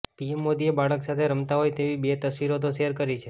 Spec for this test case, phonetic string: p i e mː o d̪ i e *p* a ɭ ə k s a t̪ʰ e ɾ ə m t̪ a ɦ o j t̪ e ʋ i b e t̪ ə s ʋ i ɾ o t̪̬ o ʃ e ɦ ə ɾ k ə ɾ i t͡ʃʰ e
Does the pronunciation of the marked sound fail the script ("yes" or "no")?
yes